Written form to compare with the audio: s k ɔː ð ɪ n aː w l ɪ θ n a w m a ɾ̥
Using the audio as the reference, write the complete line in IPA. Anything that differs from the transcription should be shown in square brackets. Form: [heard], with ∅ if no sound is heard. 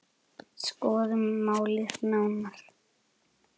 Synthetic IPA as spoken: s k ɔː ð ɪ [m] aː w l ɪ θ n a w [n] a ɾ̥